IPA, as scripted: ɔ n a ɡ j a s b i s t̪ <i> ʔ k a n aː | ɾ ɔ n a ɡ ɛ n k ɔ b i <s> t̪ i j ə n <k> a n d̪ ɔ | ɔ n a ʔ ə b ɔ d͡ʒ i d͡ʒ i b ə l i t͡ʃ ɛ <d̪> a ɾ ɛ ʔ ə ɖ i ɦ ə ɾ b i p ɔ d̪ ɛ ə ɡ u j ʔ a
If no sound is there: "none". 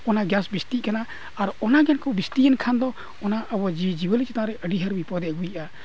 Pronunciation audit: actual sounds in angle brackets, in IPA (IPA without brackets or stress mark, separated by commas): i, s, kʰ, t̪